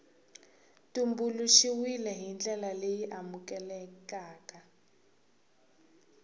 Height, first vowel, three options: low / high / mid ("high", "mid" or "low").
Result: high